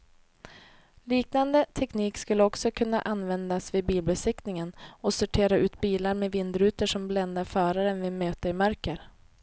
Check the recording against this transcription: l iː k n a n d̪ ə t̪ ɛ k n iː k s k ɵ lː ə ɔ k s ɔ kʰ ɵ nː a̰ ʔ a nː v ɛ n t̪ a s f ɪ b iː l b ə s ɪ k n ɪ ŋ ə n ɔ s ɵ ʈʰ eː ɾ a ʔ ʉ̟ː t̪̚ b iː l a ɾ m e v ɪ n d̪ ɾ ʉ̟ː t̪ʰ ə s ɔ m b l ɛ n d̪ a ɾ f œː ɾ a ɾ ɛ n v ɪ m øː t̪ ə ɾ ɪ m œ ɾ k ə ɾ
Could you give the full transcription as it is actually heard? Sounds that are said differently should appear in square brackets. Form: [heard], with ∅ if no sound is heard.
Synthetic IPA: l iː k n a n d̪ ə [t̪ʰ] ɛ k n iː k s k ɵ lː ə ɔ k s ɔ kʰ ɵ nː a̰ ʔ a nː v ɛ n [d̪] a s [v] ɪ b iː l b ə s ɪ k n ɪ ŋ ə n ɔ s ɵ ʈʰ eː ɾ a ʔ ʉ̟ː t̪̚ b iː l a ɾ m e v ɪ n d̪ ɾ ʉ̟ː [t̪] ə [ʂ] ɔ m b l ɛ n d̪ a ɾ f œː ɾ a ɾ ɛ n v ɪ m øː t̪ ə ɾ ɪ m œ ɾ k ə ɾ